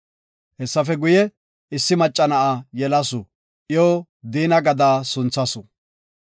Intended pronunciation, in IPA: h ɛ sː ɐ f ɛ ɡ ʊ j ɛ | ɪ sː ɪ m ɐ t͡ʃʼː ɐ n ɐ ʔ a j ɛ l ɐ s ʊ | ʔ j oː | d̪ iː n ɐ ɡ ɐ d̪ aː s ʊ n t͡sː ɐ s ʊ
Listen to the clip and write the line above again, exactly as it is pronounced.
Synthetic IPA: h ɛ sː ɐ f ɛ ɡ ʊ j ɛ | ɪ sː ɪ m ɐ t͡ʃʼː ɐ n ɐ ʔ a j ɛ l ɐ s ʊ | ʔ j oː | d̪ iː n ɐ ɡ ɐ d̪ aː s ʊ n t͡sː ɐ s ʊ

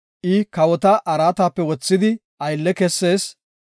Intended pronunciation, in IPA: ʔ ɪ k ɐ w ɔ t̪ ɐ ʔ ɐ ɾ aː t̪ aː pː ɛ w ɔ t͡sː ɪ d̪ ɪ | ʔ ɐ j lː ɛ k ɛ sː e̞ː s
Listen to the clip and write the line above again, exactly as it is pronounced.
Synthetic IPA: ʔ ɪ k ɐ w ɔ t̪ ɐ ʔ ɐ ɾ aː t̪ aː pː ɛ w ɔ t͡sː ɪ d̪ ɪ | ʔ ɐ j lː ɛ k ɛ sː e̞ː s

